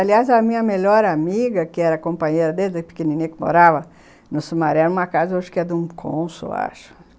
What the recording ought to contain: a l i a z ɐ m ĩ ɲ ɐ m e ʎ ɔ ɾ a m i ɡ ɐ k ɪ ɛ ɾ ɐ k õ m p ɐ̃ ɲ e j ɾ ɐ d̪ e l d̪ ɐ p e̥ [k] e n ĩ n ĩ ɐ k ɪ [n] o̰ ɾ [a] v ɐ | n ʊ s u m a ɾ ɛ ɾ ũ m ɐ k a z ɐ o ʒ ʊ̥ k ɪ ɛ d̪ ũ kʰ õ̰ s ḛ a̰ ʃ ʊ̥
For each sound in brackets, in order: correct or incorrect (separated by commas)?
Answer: correct, incorrect, correct